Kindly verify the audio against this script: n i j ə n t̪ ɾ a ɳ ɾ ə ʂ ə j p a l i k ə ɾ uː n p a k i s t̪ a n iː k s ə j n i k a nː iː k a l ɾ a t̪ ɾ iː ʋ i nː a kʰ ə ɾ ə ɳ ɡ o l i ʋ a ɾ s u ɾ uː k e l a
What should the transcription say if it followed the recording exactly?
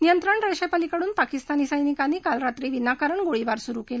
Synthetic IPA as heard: n i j ə n t̪ ɾ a ɳ ɾ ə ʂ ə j p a l i k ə ɽ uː n p a k i s t̪ a n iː s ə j n i k a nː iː k a l ɾ a t̪ ɾ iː ʋ i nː a k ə ɾ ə ɳ ɡ o ɭ i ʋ a ɾ s u ɾ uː k e l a